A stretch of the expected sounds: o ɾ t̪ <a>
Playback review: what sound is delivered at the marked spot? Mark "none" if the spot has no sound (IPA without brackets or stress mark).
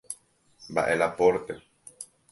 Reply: e